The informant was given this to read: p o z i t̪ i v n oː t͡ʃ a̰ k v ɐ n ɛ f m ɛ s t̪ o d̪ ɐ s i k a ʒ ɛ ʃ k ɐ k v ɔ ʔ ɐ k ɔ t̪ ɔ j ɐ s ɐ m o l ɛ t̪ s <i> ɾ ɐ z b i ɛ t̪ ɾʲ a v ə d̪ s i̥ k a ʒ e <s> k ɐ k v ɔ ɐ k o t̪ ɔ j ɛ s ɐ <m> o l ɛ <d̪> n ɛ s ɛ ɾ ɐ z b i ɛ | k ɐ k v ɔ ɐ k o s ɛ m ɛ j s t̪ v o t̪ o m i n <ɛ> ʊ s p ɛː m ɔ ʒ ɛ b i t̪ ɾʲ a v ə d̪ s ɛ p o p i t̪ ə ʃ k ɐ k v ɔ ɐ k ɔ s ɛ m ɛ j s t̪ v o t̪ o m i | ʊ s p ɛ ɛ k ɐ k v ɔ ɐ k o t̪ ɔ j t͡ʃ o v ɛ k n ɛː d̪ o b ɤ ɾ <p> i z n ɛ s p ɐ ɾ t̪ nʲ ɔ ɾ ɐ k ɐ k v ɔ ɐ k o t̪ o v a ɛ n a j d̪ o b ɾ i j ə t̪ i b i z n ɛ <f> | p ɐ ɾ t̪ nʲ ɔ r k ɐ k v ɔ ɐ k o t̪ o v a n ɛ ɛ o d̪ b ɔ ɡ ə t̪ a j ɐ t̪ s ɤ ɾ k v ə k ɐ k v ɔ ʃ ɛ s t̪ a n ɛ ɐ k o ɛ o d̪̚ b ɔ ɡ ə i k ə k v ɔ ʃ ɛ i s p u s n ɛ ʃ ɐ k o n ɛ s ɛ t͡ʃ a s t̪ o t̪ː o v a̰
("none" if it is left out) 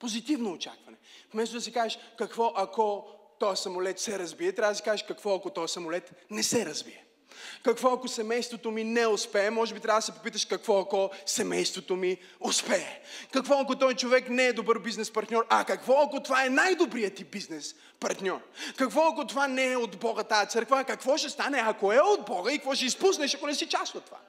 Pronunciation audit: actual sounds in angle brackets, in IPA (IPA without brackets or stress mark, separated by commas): ɛ, ʃ, m, t̪, ɛ, b, s